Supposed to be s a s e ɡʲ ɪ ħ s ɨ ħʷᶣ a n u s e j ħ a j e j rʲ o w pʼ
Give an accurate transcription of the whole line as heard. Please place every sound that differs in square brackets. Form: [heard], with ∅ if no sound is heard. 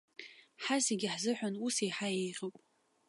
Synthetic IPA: [ħ] a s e ɡʲ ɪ ħ [z] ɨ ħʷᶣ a n u s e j ħ a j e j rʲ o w pʼ